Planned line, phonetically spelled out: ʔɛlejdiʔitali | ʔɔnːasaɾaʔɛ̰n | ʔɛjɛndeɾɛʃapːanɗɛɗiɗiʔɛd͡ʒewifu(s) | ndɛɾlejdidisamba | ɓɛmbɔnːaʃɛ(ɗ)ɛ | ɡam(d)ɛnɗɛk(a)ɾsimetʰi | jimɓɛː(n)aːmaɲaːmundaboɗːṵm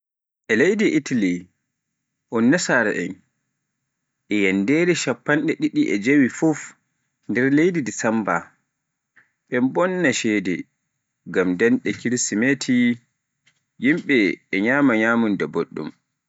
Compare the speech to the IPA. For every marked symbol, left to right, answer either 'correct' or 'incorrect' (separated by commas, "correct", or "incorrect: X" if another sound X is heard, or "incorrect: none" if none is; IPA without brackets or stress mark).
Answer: incorrect: f, incorrect: d, correct, incorrect: i, incorrect: ɲ